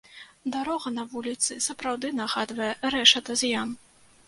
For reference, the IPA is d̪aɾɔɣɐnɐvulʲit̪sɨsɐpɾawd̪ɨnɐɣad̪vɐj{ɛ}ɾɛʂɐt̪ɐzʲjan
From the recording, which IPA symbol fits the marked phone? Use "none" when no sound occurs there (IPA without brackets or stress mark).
ɛ